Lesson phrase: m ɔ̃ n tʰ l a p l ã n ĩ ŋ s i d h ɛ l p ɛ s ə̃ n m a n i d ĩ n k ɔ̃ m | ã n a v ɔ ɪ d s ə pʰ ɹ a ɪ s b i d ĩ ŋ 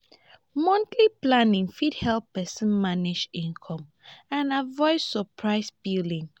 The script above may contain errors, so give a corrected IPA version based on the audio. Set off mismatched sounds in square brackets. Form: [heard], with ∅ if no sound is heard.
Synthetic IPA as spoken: m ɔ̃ n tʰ l [i] p l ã n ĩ ŋ [f] i d h ɛ l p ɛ s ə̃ n m a n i [d͡ʒ] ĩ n [kʰ] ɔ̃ m | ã n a v ɔ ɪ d s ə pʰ ɹ a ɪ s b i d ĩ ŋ